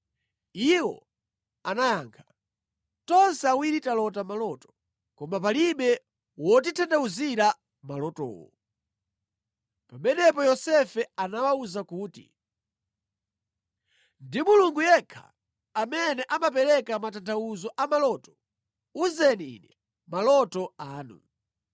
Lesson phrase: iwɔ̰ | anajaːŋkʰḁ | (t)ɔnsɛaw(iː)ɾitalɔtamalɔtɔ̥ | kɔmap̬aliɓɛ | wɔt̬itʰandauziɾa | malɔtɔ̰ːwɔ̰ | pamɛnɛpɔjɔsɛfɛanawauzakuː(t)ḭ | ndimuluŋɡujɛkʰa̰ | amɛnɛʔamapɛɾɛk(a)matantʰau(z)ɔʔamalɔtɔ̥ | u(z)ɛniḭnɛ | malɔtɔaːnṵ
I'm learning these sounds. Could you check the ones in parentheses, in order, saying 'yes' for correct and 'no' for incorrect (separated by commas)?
yes, no, yes, yes, yes, yes